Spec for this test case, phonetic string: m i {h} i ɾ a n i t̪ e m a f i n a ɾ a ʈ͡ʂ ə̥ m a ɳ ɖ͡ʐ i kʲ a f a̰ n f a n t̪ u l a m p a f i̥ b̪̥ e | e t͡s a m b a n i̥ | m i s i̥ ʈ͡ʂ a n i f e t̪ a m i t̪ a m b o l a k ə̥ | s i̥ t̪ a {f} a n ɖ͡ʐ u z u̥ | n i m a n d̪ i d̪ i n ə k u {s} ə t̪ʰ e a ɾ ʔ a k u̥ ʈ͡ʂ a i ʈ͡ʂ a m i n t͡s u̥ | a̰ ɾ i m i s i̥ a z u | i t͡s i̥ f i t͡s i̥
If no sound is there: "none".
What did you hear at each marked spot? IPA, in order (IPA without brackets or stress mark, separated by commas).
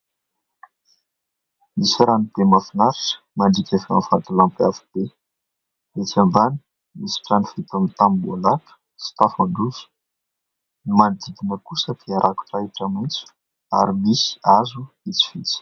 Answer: s, f, s